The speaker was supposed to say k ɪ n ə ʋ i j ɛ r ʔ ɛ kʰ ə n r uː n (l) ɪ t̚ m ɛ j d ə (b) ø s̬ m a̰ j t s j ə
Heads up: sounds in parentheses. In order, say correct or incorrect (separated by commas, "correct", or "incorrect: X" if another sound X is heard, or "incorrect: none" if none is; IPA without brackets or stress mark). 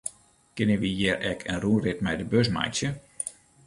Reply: incorrect: r, correct